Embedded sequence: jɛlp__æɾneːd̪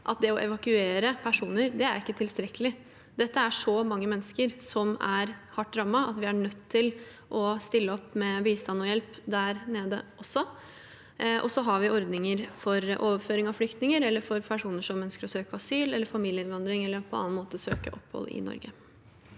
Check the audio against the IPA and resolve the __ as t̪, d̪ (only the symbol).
d̪